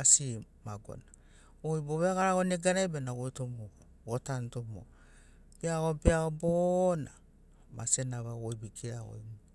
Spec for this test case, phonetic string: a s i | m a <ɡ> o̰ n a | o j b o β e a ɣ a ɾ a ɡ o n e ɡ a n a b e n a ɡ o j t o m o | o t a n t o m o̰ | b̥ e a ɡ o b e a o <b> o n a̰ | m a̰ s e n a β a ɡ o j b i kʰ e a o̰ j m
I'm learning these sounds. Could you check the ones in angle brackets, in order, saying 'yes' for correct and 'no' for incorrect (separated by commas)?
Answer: yes, yes